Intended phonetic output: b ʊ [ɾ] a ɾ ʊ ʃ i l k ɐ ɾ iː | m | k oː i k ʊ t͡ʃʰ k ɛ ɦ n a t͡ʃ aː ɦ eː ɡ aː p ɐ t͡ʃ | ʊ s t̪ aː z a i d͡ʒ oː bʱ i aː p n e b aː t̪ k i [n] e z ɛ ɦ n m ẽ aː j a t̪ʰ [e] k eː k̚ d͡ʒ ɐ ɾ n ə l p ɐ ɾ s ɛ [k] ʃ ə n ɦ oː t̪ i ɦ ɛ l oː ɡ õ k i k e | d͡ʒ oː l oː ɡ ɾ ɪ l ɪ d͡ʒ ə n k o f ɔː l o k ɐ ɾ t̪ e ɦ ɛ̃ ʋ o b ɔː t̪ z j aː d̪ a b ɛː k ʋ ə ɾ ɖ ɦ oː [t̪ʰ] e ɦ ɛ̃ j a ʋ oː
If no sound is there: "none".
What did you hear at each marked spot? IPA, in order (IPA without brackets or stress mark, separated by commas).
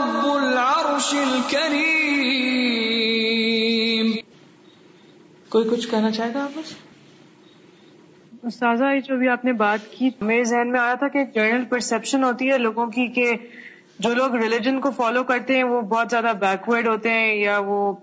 l, m, a, p, t̪